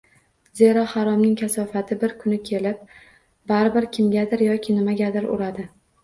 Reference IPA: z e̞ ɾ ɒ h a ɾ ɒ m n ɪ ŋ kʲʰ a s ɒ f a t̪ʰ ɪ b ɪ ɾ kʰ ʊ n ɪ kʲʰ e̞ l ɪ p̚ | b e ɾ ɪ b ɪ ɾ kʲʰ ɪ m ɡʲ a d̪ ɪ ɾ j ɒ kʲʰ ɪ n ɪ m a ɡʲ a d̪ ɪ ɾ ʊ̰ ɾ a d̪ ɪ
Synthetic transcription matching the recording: z e̞ ɾ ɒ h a ɾ ɒ m n ɪ ŋ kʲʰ a s ɒ f a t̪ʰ ɪ b ɪ ɾ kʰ ʊ n ɪ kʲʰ e̞ l ɪ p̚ | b a ɾ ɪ b ɪ ɾ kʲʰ ɪ m ɡʲ a d̪ ɪ ɾ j ɒ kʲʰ ɪ n ɪ m a ɡʲ a d̪ ɪ ɾ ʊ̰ ɾ a d̪ ɪ